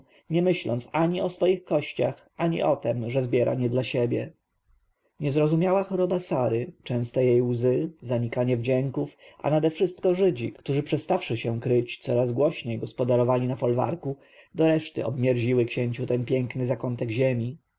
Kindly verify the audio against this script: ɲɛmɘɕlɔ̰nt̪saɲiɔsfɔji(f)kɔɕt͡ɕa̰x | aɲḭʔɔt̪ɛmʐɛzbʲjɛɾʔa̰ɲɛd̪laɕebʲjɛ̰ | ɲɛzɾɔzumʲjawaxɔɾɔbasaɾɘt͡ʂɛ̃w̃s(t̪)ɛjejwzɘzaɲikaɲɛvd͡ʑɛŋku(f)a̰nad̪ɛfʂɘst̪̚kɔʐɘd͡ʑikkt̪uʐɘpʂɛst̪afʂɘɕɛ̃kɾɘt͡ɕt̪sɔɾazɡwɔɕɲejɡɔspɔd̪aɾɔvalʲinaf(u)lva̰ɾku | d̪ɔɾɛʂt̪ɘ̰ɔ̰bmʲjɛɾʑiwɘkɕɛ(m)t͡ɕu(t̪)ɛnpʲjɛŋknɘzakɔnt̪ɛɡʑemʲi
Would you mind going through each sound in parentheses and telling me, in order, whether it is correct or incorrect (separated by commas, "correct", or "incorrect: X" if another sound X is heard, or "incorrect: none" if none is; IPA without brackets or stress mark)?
incorrect: x, correct, correct, incorrect: ɔ, incorrect: ɲ, correct